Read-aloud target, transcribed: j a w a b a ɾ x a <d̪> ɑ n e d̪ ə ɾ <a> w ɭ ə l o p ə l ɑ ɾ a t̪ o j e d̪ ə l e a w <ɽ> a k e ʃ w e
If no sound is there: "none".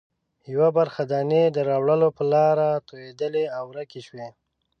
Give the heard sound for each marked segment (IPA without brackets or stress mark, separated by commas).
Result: d̪, ɑ, ɾ